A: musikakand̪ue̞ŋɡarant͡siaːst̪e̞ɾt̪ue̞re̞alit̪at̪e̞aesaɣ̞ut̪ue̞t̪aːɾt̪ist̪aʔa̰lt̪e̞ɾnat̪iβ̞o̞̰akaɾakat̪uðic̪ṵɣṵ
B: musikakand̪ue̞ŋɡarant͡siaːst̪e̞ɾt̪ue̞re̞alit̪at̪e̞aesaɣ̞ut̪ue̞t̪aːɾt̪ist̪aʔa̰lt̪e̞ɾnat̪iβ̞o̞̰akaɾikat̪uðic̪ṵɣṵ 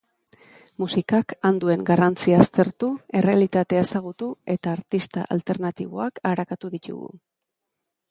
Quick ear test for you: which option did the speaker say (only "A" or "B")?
A